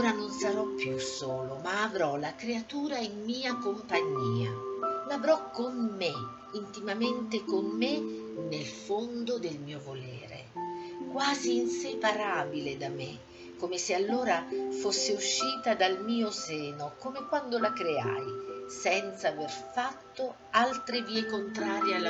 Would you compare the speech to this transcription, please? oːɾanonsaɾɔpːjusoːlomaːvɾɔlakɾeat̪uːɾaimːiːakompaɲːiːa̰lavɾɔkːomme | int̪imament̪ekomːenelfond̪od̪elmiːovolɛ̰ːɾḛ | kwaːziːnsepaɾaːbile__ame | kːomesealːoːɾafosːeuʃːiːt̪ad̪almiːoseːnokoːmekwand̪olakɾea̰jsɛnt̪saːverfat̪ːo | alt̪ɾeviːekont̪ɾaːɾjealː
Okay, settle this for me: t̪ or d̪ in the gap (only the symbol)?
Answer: d̪